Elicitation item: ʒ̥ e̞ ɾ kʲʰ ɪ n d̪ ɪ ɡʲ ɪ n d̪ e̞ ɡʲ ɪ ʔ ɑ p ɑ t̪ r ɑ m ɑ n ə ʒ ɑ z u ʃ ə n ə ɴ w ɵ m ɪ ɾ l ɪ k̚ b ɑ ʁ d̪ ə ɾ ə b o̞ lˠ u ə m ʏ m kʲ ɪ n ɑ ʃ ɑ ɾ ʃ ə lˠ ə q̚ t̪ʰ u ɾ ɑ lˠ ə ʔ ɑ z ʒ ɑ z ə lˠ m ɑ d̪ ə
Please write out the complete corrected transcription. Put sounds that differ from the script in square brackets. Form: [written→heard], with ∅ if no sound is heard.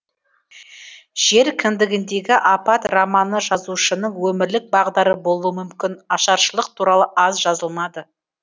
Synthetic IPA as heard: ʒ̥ e̞ ɾ kʲʰ ɪ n d̪ ɪ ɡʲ ɪ n d̪ e̞ ɡʲ ɪ ʔ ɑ p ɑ t̪ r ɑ m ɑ n ə ʒ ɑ z u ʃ ə n ə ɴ w ɵ m ɪ ɾ l ɪ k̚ b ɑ ʁ d̪ [ə→ɑ] ɾ ə b o̞ lˠ u ə m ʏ m kʲ ɪ n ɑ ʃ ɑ ɾ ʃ ə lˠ ə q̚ t̪ʰ u ɾ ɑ lˠ ə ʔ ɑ z ʒ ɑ z ə lˠ m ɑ d̪ ə